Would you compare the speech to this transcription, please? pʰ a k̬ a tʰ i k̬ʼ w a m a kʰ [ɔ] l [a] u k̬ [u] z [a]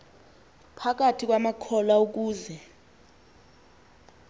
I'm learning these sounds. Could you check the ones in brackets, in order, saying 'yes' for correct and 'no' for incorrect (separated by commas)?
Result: yes, yes, no, no